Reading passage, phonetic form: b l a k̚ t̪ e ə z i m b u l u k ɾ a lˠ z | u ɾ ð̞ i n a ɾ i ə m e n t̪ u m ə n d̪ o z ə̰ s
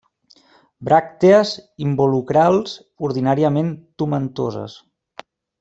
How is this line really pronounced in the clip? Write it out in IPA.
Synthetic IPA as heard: b ɾ a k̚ t̪ e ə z i m b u l u k ɾ a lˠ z | u ɾ ð̞ i n a ɾ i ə m e n t̪ u m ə n t̪ o z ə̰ s